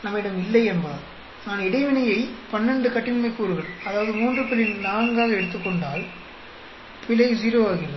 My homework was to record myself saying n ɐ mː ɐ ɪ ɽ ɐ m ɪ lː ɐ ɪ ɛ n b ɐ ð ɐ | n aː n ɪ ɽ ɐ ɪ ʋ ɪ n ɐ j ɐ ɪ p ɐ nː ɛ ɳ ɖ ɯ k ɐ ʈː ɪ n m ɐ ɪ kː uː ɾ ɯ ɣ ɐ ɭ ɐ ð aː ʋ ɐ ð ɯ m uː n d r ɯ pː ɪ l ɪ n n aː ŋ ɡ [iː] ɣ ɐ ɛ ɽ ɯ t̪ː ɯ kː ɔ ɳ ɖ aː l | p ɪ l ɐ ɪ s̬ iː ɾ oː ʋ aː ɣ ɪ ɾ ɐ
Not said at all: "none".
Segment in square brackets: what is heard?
aː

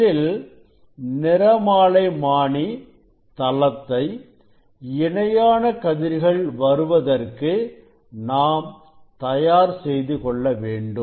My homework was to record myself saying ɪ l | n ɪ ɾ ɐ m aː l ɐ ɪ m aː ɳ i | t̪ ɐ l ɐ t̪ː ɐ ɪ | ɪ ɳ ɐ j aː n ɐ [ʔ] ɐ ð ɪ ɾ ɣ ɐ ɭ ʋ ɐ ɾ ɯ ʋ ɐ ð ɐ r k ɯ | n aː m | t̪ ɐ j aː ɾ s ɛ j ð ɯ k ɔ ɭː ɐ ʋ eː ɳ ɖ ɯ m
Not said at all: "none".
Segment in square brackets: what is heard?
k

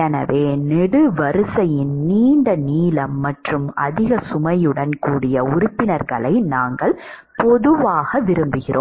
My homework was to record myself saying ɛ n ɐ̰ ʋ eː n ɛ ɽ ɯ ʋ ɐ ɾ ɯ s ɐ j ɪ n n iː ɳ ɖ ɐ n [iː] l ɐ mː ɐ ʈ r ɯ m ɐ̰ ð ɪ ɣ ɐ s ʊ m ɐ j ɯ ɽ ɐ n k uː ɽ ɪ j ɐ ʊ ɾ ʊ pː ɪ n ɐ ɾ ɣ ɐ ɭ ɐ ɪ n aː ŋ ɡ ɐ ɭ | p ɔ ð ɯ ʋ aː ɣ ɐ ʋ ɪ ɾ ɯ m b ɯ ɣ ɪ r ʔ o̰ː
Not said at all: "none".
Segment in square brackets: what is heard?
iː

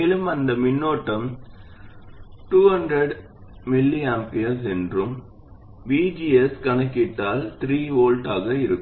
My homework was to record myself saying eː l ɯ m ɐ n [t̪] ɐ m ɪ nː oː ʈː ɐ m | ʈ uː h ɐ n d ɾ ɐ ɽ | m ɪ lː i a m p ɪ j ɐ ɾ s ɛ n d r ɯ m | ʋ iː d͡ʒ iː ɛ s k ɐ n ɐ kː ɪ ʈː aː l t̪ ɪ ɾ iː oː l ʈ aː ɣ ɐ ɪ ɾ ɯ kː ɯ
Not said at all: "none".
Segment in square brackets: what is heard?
d̪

